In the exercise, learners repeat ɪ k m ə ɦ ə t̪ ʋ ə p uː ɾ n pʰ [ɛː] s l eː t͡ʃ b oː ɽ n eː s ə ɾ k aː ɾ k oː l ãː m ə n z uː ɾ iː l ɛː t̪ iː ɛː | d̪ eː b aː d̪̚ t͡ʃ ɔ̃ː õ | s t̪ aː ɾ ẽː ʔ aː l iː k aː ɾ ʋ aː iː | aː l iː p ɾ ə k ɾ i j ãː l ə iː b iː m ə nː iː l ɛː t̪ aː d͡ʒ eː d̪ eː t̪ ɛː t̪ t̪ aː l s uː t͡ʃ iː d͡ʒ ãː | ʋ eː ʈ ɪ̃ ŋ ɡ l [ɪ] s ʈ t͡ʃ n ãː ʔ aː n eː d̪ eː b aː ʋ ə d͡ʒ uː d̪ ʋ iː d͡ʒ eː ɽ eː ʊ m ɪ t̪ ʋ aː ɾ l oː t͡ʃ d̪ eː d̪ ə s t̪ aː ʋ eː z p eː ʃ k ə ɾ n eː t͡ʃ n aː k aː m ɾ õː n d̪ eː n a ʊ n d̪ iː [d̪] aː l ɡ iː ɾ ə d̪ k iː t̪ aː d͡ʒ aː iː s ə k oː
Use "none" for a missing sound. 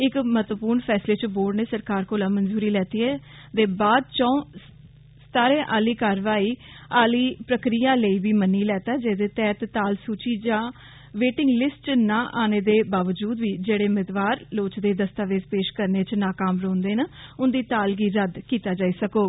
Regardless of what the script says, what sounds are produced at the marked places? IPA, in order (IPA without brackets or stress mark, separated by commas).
ɛː, ɪ, t̪